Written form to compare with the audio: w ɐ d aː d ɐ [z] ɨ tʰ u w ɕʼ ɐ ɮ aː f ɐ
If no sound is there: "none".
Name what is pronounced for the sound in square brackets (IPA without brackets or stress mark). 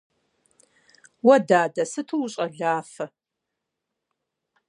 s